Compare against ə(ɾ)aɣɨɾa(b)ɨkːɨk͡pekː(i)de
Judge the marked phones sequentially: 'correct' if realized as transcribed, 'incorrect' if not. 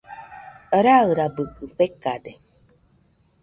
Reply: correct, correct, incorrect: a

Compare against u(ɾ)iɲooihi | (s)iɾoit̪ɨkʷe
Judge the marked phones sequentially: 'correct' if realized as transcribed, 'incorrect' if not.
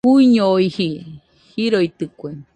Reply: incorrect: none, incorrect: h

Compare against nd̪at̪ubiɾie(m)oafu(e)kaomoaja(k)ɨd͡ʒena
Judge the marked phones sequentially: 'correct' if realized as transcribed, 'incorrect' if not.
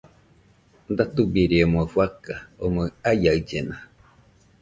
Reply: correct, incorrect: a, incorrect: none

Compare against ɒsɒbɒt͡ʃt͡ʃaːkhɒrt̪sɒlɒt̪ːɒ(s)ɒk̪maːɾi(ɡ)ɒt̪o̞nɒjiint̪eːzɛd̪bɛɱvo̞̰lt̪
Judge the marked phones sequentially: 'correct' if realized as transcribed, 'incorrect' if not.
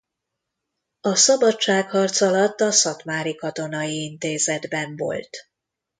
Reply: correct, incorrect: k

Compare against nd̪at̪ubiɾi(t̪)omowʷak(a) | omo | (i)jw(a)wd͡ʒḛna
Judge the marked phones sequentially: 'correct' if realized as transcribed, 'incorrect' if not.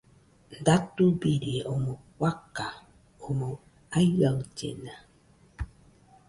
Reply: incorrect: none, correct, incorrect: a, correct

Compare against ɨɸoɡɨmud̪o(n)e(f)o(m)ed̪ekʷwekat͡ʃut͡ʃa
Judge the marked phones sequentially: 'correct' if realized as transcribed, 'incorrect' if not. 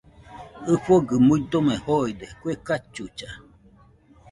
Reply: incorrect: m, incorrect: h, incorrect: none

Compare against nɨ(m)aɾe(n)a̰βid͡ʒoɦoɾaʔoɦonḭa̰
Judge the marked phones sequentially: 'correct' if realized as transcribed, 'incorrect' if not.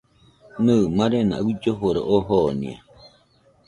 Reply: correct, correct

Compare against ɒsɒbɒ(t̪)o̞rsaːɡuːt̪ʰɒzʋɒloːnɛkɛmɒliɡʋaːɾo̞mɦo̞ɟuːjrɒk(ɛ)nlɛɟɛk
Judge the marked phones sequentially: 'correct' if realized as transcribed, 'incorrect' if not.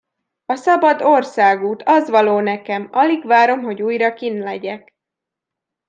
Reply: incorrect: d̪, incorrect: i

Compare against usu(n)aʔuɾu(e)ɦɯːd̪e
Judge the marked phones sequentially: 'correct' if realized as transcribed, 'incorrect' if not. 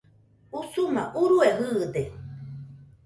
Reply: incorrect: m, correct

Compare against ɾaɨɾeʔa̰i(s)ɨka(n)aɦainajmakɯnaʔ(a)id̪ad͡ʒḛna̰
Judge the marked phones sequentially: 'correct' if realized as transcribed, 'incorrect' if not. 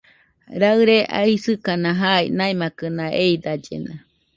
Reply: correct, correct, incorrect: e

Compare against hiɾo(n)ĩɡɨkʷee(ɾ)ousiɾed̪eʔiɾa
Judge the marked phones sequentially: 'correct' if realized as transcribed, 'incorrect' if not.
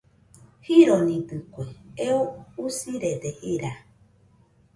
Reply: correct, incorrect: none

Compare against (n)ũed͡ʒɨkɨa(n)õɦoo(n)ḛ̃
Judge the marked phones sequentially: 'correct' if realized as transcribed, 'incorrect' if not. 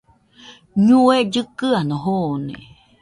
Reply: incorrect: ɲ, correct, correct

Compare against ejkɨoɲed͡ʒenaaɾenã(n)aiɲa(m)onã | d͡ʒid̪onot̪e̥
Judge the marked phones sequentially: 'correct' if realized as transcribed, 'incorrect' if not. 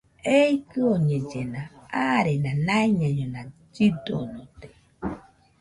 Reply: correct, incorrect: ɲ

